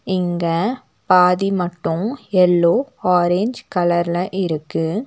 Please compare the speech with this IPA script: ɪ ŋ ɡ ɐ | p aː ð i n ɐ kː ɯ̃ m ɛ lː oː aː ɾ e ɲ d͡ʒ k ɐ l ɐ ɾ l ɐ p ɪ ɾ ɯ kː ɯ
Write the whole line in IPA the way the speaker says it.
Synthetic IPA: ɪ ŋ ɡ ɐ | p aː ð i m ɐ ʈː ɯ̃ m ɛ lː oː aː ɾ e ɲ d͡ʒ k ɐ l ɐ ɾ l ɐ ʔ ɪ ɾ ɯ kː ɯ

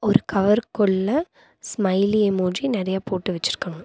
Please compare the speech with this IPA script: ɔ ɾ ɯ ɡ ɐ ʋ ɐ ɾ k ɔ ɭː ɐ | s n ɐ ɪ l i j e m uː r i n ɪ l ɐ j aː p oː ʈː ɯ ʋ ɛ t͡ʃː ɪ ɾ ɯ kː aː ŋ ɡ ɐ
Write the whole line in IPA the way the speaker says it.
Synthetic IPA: ɔ ɾ ɯ k ɐ ʋ ɐ ɾ k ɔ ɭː ɐ | s m ɐ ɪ l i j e m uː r i n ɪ ɾ ɐ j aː p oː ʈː ɯ ʋ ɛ t͡ʃː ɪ ɾ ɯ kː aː ŋ ɡ ɐ

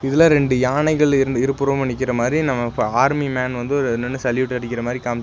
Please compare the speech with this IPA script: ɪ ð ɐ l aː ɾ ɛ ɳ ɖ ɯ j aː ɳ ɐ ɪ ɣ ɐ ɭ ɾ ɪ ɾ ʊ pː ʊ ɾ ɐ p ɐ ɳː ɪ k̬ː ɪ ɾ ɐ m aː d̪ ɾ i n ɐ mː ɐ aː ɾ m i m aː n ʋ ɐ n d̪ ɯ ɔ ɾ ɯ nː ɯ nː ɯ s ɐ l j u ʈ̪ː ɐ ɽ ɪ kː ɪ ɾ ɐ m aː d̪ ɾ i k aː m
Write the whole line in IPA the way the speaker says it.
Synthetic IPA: ɪ ð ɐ l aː ɾ ɛ ɳ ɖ ɯ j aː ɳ ɐ ɪ ɣ ɐ ɭ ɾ ɪ ɾ ɯ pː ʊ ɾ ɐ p ɐ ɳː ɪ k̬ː ɪ ɾ ɐ m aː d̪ ɾ i n ɐ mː ɐ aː ɾ m i m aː n ʋ ɐ n d̪ ɯ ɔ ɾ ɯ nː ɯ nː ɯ s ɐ l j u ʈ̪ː ɐ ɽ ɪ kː ɪ ɾ ɐ m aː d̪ ɾ i k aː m

